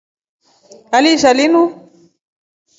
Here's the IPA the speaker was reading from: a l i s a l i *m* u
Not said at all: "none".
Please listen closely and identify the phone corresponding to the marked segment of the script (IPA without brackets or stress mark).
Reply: n